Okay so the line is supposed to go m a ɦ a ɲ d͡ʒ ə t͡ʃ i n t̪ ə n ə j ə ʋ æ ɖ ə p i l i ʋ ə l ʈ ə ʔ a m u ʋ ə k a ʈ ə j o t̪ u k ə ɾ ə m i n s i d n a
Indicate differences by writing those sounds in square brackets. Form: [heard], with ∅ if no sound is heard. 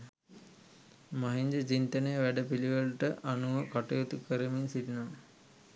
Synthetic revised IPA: m a ɦ [i] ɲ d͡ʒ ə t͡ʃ i n t̪ ə n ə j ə ʋ æ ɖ ə p i l i ʋ ə l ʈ ə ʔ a [n] u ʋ ə k a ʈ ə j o t̪ u k ə ɾ ə m i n s i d n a